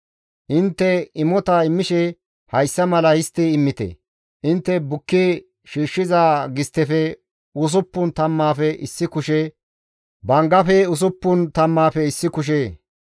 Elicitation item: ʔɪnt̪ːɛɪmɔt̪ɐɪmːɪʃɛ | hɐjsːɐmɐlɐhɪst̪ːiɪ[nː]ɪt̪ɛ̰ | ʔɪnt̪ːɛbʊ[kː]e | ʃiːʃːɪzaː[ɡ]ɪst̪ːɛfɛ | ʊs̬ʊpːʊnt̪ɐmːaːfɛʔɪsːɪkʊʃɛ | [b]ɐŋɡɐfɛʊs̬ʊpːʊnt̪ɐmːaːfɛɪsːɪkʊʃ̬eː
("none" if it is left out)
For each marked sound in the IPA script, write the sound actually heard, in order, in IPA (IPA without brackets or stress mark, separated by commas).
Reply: mː, kː, ɡ, b